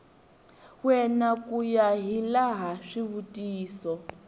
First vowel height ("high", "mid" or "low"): mid